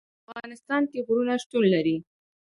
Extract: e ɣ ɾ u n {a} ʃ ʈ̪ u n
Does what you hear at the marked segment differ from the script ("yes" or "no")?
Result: no